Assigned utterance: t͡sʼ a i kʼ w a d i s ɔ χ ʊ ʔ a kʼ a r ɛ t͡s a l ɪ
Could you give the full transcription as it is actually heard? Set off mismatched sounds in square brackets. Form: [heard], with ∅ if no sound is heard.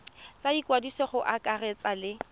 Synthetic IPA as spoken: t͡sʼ a i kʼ w a d i s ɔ χ ʊ ʔ a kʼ a r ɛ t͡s a l ɪ